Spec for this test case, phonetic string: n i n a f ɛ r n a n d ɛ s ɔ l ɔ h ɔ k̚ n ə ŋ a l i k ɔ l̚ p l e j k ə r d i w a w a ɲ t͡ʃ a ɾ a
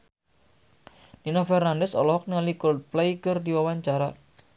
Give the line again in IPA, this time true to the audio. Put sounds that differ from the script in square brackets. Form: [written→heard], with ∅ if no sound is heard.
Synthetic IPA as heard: n i n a f ɛ r n a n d ɛ s ɔ l ɔ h ɔ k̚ n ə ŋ a l i k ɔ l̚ p l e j k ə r d i w a w a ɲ t͡ʃ a ɾ a